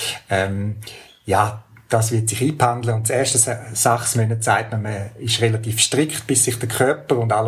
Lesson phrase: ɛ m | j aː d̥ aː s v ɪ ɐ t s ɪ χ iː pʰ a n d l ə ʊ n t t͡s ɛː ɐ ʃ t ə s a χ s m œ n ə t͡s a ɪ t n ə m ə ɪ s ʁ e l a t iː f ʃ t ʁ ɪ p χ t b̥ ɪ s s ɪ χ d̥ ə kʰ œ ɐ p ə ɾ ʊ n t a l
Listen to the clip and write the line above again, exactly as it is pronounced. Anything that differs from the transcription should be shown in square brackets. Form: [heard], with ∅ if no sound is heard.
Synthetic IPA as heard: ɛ m | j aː d̥ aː s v ɪ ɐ t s ɪ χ iː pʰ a n d l ə ʊ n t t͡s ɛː ɐ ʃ t ə s a χ s m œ n ə t͡s a ɪ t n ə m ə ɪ [ʃ] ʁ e l a t iː f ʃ t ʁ ɪ [k] χ t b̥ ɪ s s ɪ χ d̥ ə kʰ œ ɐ p ə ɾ ʊ n [d] a l